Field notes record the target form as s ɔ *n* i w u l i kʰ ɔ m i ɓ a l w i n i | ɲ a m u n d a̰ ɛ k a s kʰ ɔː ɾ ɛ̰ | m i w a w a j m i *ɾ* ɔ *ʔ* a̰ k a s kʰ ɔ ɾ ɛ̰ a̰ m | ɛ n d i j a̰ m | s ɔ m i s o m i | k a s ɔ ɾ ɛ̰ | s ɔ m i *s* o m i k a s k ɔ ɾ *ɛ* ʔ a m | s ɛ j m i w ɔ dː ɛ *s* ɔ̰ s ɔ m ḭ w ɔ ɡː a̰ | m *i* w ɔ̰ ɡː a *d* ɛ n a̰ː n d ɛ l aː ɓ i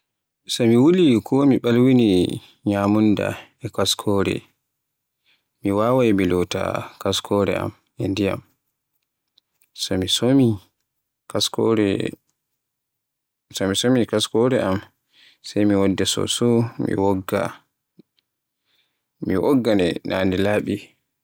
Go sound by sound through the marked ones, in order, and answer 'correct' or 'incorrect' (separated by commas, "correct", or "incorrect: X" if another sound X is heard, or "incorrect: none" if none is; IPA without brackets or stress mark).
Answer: incorrect: m, incorrect: l, incorrect: t, correct, correct, correct, correct, incorrect: n